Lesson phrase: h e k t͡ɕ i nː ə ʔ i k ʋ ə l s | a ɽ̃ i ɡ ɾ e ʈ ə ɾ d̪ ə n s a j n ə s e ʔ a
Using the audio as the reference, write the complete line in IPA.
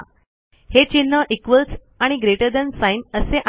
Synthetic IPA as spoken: h e t͡ɕ i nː ə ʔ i k ʋ ə l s | a ɽ̃ i ɡ ɾ e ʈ ə ɾ d̪ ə n s a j n ə s e ʔ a